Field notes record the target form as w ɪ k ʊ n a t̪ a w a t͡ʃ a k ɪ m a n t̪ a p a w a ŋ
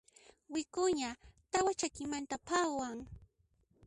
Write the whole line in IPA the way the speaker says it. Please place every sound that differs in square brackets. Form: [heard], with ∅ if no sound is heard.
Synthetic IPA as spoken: w ɪ k ʊ [ɲ] a t̪ a w a t͡ʃ a k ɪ m a n t̪ a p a w a ŋ